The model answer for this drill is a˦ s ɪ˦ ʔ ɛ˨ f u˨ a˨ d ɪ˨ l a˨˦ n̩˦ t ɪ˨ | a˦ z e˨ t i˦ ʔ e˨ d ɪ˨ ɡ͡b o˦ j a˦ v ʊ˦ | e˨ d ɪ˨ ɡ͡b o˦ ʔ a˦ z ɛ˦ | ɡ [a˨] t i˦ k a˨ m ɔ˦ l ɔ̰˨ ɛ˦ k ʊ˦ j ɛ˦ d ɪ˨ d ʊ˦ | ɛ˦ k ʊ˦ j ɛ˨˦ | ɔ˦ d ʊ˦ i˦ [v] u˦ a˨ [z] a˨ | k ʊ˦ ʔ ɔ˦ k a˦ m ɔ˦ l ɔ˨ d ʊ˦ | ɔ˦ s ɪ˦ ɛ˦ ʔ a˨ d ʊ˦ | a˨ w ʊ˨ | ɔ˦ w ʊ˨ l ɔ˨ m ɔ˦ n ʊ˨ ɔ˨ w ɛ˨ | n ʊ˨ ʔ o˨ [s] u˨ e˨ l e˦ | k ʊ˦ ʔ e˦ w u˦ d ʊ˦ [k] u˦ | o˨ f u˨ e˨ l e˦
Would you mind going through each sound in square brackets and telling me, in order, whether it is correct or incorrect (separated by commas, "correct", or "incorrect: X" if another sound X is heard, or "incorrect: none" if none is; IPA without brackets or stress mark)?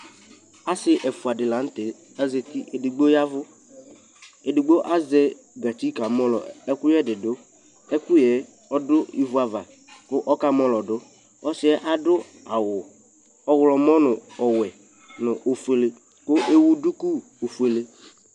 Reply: correct, correct, incorrect: v, incorrect: f, correct